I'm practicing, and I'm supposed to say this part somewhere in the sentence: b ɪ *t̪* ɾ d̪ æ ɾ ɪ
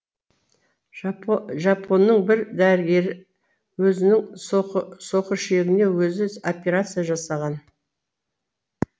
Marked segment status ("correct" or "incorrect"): incorrect